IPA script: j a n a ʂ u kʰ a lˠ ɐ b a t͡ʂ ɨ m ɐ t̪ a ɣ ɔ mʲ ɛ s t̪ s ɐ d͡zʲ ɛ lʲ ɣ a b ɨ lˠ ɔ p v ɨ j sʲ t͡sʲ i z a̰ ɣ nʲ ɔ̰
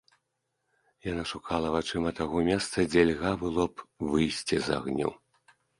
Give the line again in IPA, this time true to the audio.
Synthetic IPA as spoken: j a n a ʂ u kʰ a lˠ ɐ v a t͡ʂ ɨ m ɐ t̪ a ɣ ɔ mʲ ɛ s t̪ s ɐ d͡zʲ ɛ lʲ ɣ a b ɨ lˠ ɔ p v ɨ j sʲ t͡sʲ i z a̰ ɣ nʲ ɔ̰